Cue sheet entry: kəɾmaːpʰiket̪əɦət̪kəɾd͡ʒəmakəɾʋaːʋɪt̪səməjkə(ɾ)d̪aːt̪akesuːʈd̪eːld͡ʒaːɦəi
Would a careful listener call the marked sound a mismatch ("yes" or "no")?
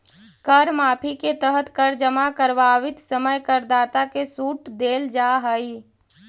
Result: no